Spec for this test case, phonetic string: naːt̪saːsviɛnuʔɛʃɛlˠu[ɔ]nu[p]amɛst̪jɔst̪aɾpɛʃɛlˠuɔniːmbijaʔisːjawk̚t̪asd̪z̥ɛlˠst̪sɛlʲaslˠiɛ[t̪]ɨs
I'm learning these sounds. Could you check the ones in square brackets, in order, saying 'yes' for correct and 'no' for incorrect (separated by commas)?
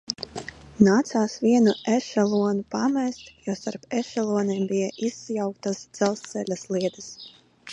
yes, yes, no